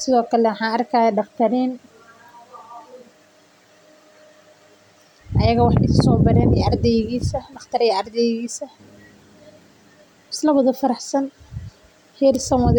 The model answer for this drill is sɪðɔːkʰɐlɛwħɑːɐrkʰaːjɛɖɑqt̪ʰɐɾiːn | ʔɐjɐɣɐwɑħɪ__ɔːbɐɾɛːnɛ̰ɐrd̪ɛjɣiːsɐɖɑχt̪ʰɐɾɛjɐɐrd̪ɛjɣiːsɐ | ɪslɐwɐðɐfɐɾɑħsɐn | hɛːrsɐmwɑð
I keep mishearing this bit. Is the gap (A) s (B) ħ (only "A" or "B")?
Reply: A